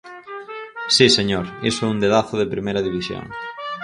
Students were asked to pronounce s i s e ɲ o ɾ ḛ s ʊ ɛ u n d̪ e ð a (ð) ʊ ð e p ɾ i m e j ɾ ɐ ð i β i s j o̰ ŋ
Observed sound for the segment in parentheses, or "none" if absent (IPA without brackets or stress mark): θ